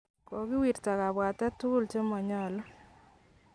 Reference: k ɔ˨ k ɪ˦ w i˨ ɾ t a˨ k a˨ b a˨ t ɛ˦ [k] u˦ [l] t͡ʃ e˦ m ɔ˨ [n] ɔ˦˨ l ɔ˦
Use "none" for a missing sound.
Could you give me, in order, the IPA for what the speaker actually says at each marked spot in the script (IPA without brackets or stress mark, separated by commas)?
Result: t, l, ɲ